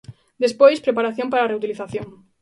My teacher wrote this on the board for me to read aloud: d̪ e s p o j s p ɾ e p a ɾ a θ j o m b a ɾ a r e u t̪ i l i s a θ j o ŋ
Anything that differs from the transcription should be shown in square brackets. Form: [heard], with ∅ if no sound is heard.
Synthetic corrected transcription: d̪ e s p o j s p ɾ e p a ɾ a θ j o m [p] a ɾ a r e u t̪ i l i [θ] a θ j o ŋ